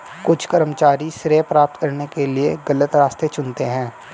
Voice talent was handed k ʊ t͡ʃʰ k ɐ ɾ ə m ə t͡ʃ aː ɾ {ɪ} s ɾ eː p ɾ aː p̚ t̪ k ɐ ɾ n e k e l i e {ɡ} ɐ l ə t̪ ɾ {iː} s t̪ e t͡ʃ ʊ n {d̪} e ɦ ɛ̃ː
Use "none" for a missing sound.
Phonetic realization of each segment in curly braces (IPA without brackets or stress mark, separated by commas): i, ɡ, aː, t̪